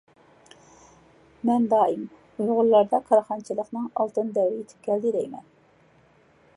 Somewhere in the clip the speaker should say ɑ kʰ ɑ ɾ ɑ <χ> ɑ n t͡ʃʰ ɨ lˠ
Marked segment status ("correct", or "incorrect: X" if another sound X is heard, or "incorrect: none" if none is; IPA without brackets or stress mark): correct